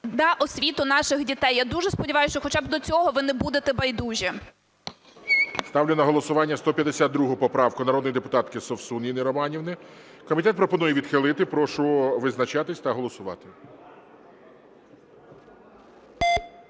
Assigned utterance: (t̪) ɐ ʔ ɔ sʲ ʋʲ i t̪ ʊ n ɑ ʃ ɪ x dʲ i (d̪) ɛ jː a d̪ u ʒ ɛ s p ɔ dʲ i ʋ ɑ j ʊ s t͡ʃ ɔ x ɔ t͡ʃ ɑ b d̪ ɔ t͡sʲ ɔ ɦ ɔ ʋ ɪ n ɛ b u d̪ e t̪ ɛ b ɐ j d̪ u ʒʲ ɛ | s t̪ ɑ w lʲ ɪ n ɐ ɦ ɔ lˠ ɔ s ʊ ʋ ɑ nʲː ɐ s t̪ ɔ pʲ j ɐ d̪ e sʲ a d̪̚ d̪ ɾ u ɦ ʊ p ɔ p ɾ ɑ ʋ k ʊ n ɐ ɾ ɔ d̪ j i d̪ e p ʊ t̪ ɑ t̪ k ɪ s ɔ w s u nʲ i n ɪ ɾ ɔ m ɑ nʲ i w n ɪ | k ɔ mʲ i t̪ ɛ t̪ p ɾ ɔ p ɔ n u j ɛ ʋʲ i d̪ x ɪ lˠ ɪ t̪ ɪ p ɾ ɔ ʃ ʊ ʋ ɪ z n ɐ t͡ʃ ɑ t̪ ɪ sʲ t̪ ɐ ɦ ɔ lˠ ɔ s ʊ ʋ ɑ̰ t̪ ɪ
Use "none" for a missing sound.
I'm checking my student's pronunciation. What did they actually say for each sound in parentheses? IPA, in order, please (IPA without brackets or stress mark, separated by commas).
d̪, t̪